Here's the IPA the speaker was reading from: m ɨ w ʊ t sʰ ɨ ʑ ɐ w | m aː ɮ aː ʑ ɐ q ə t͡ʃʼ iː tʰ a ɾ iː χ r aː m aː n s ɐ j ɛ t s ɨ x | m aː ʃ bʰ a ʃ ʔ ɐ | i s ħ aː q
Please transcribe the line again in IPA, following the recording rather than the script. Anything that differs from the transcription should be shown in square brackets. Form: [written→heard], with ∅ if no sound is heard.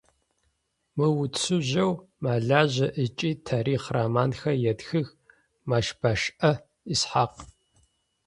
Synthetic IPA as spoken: m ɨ w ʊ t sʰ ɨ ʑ ɐ w | m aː ɮ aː ʑ ɐ [q→ʔ] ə t͡ʃʼ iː tʰ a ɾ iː χ r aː m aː n [s→x] ɐ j ɛ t [s→x] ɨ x | m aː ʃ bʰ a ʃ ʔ ɐ | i s ħ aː q